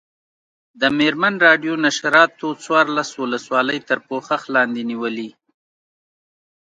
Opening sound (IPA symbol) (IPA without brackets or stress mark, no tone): d̪